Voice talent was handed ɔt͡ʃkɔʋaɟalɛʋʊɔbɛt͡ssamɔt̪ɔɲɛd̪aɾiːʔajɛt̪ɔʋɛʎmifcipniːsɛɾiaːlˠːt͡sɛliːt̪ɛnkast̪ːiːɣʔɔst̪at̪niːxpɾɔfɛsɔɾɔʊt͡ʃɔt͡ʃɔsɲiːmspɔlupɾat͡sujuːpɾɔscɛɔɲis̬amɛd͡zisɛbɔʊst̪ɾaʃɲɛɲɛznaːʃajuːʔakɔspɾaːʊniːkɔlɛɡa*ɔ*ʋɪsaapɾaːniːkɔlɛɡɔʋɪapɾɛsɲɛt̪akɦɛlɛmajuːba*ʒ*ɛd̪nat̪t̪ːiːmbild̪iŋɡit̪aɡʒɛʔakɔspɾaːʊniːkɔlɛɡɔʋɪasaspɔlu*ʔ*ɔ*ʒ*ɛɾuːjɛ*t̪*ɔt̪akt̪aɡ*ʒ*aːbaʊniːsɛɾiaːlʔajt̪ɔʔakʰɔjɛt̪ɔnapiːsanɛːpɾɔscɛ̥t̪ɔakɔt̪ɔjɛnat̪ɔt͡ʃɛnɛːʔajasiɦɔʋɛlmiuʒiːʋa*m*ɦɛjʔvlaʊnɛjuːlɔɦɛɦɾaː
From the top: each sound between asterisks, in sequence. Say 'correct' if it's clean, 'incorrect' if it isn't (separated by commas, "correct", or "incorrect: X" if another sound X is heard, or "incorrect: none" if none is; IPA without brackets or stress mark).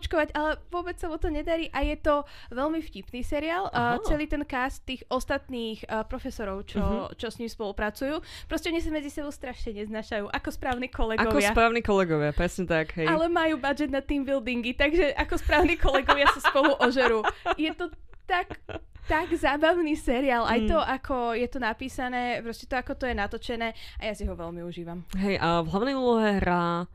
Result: correct, incorrect: d͡ʒ, correct, correct, correct, incorrect: z, correct